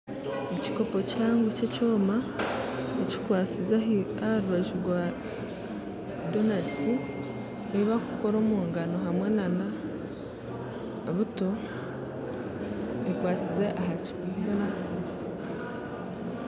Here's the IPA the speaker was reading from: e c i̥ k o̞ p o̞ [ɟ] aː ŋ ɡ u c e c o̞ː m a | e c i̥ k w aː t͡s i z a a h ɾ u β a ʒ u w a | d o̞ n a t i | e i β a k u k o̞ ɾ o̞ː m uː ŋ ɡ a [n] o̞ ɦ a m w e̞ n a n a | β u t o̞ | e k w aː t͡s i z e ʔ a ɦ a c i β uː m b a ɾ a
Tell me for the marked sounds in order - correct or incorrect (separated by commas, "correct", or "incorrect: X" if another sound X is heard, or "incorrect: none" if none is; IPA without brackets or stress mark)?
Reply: incorrect: c, correct